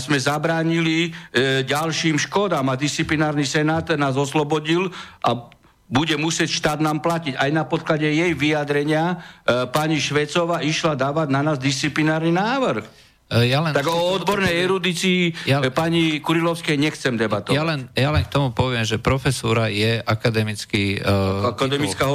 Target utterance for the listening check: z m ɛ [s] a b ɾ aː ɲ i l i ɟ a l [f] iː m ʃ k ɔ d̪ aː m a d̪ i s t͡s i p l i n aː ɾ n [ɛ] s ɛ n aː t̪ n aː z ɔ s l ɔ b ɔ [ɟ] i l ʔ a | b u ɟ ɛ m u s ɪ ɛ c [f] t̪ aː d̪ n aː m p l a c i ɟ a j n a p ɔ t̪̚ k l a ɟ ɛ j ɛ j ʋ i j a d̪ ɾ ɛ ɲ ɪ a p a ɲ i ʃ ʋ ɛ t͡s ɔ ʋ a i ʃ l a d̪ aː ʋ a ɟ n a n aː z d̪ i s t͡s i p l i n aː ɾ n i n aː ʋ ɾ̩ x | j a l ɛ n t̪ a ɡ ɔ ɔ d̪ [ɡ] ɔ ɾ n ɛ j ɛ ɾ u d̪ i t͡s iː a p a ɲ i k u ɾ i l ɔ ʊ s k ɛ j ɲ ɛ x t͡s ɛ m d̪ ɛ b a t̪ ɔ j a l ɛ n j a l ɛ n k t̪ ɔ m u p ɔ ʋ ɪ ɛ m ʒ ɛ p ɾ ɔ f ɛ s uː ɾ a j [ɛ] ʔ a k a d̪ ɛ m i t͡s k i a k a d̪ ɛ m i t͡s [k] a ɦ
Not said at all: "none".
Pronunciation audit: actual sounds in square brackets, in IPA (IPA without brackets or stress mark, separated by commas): z, ʃ, i, ɟ, ʃ, b, ɛ, k